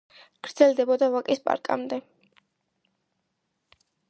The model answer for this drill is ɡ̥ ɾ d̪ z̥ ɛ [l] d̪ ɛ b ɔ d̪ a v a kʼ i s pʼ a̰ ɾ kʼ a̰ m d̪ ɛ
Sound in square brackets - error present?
no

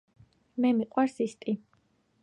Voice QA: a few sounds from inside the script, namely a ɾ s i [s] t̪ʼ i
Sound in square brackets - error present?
no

